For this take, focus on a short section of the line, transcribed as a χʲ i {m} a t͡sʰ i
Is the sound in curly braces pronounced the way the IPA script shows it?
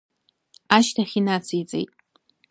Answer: no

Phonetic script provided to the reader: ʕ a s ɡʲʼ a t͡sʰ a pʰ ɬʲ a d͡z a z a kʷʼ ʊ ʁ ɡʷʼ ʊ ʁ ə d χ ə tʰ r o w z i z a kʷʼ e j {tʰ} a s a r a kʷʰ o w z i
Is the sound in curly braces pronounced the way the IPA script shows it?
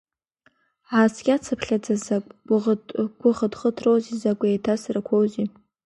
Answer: yes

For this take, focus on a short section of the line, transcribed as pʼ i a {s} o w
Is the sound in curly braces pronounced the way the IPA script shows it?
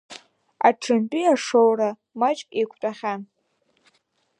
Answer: no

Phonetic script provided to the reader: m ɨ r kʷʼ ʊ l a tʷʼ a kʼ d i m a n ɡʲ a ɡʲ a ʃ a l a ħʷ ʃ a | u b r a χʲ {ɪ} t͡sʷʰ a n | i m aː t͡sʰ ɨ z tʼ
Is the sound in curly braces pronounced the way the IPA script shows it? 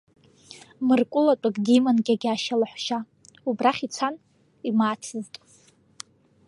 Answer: no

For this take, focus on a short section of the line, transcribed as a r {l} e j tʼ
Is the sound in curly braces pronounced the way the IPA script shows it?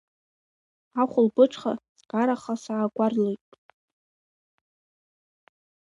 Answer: yes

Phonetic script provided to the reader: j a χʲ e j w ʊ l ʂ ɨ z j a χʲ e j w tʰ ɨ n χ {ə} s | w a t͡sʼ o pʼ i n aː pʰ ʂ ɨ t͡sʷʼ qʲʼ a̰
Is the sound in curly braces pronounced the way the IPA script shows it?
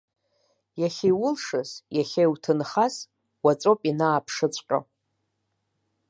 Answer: no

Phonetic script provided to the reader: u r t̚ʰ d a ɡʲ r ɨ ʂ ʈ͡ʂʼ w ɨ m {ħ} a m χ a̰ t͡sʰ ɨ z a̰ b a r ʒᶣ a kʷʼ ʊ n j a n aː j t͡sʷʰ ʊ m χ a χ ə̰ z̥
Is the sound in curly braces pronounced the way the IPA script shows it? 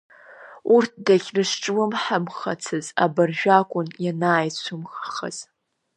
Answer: yes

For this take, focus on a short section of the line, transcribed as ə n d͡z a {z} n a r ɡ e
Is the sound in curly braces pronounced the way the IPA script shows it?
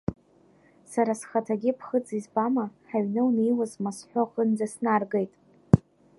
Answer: no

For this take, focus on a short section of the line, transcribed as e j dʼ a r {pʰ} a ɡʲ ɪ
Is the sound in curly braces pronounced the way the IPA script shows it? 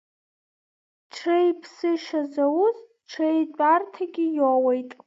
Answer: no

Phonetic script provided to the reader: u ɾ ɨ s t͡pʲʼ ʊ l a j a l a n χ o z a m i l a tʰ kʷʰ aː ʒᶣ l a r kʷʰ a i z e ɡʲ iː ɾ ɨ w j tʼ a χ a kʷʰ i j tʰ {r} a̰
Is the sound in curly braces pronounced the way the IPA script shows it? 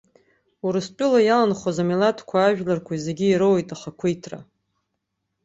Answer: yes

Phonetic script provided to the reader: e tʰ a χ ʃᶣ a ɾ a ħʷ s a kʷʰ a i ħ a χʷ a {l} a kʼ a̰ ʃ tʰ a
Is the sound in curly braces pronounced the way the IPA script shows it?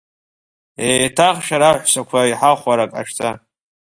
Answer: no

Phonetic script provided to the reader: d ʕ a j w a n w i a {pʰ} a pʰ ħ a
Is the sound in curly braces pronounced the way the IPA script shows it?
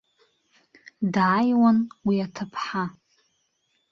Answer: no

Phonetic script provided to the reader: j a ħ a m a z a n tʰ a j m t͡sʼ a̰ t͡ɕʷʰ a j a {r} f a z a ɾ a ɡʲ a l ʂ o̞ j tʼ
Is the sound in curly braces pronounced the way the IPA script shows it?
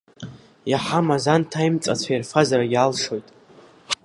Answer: yes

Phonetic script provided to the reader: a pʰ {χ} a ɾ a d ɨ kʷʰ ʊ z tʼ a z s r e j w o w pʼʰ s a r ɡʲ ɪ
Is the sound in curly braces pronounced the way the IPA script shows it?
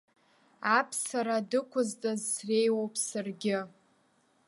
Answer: no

